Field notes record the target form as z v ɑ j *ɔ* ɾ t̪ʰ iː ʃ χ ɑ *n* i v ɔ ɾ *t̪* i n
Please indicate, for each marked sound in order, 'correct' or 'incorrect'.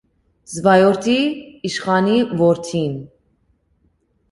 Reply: correct, correct, incorrect: t̪ʰ

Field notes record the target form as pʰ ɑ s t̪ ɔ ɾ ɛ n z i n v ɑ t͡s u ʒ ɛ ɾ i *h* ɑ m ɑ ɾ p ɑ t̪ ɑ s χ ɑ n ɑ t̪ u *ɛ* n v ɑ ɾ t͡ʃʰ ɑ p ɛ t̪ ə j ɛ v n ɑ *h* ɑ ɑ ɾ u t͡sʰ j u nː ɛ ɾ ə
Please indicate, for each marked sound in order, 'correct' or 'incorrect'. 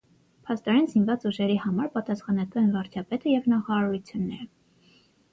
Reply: correct, correct, incorrect: χ

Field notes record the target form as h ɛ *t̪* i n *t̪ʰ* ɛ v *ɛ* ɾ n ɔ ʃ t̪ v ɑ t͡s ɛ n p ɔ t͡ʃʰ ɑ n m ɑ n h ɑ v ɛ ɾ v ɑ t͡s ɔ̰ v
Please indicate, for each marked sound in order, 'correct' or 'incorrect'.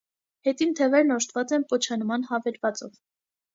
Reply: correct, correct, correct

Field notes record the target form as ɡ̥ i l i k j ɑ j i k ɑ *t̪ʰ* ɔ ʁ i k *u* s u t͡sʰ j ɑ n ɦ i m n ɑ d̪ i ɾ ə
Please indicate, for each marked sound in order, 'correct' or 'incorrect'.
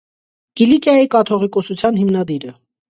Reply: correct, incorrect: ɔ

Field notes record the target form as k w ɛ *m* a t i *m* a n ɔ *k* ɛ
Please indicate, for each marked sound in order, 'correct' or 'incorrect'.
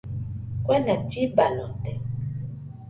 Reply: incorrect: n, incorrect: b, incorrect: t

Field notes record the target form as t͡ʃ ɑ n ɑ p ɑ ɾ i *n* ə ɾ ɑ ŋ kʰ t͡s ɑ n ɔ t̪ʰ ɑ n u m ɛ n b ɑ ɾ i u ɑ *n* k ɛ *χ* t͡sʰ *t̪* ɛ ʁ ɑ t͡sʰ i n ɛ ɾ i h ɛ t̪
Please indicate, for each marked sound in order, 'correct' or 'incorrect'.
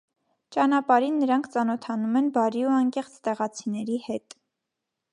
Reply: incorrect: nː, incorrect: ŋ, correct, correct

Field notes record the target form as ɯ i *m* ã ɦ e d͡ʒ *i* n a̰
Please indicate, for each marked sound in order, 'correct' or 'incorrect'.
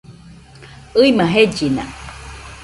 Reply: correct, correct

